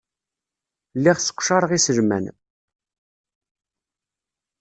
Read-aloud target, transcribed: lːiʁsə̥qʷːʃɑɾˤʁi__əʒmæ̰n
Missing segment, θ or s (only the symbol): s